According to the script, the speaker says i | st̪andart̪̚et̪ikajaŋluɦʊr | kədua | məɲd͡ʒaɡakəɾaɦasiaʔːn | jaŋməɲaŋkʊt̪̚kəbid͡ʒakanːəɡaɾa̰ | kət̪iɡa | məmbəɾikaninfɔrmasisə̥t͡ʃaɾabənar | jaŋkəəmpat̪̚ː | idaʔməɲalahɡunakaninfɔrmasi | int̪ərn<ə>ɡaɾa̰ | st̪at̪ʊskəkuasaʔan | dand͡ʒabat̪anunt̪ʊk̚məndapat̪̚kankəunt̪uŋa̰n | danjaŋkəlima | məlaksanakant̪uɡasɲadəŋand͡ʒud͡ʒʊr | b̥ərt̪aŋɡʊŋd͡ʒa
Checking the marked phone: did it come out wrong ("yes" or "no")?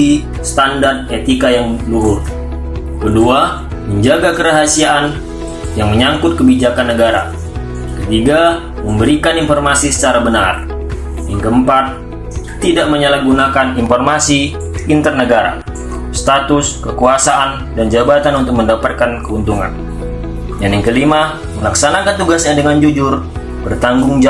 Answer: no